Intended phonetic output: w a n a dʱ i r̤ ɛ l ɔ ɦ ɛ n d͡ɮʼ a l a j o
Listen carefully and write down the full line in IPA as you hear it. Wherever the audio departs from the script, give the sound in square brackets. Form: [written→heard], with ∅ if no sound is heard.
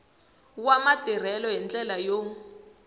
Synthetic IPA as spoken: w a [n→m] a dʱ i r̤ ɛ l ɔ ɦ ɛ n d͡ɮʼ [a→ɛ] l a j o